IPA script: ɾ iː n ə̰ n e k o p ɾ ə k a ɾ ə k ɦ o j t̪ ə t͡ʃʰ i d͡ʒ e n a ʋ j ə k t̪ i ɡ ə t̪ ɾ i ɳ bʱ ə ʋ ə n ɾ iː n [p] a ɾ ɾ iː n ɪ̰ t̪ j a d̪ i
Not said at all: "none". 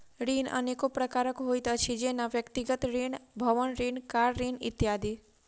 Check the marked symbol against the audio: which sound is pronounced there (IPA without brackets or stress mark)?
k